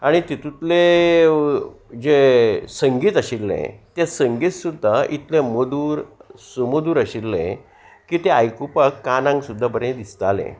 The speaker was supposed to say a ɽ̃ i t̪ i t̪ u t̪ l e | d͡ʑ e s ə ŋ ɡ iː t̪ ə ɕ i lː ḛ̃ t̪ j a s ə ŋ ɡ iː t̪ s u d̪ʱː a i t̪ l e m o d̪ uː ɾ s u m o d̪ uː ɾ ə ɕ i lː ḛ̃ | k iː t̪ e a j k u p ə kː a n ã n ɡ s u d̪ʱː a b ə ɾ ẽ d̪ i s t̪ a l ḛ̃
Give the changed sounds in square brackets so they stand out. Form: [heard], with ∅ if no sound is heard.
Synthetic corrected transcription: a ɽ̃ i t̪ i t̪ u t̪ l e | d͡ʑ e s ə ŋ ɡ iː t̪ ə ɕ i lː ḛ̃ t̪ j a s ə ŋ ɡ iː t̪ s u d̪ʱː a i t̪ l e m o d̪ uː ɾ s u m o d̪ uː ɾ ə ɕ i lː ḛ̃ | k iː t̪ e a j k u p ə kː a n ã [ŋ] ɡ s u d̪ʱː a b ə ɾ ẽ d̪ i s t̪ a l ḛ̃